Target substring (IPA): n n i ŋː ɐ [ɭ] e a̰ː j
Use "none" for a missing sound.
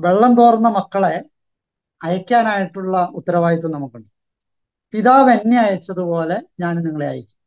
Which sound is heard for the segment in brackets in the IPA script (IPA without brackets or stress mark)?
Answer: ɭ